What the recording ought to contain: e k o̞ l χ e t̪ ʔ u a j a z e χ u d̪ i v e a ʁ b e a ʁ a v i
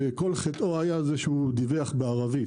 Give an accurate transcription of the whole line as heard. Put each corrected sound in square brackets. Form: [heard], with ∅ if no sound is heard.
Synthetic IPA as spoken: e k o̞ l χ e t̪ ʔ [o] a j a z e [ʃ] u d̪ i v e a [χ] b e a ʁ a v i

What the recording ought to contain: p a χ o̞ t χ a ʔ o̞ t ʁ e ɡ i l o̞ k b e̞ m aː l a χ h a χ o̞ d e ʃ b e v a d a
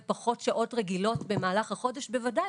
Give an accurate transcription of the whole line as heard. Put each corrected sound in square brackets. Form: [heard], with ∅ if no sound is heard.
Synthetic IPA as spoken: p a χ o̞ t [ʃ] a ʔ o̞ t ʁ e ɡ i l o̞ [t] b e̞ m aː l a χ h a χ o̞ d e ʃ b e v a d a

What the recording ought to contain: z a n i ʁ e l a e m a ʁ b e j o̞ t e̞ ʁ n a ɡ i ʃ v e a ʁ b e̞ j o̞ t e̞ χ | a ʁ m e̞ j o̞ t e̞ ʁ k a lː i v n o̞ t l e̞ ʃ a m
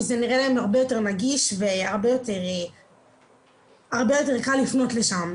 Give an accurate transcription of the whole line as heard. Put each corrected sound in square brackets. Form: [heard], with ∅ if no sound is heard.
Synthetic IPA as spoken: z [e] n i ʁ e l a e m a ʁ b e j o̞ t e̞ ʁ n a ɡ i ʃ v e a ʁ b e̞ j o̞ t e̞ [ʁ] | a ʁ [b] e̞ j o̞ t e̞ ʁ k a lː i [f] n o̞ t l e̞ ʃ a m

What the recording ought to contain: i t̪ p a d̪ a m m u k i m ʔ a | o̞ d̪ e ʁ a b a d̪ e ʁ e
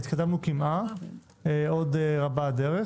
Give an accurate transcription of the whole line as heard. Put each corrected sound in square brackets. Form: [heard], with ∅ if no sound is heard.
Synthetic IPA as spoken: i t̪ [k] a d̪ a m [n] u k i m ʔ a | o̞ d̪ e ʁ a b a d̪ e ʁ e

